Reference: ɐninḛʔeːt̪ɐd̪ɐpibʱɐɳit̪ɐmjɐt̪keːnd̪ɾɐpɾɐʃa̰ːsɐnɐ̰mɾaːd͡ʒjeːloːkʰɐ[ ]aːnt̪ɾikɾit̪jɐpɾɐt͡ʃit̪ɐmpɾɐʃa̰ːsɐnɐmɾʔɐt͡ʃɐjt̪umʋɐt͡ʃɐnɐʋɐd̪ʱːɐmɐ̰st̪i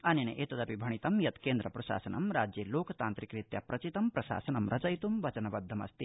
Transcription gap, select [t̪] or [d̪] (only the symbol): t̪